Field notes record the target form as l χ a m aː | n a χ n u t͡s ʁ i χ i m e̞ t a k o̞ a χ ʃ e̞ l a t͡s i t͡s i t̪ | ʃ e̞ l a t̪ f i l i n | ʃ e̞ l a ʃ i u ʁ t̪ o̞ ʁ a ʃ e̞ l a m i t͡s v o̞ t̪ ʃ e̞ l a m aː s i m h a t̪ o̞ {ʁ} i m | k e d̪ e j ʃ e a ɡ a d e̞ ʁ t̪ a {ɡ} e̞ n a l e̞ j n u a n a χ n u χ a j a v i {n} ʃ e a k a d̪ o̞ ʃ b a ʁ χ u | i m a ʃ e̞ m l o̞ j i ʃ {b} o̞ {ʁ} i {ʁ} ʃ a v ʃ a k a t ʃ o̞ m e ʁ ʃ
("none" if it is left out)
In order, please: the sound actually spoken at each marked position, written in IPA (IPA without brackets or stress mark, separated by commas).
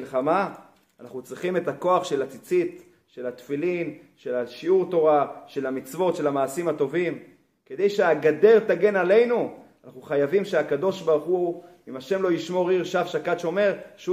v, ɡ, m, m, ʁ, ʁ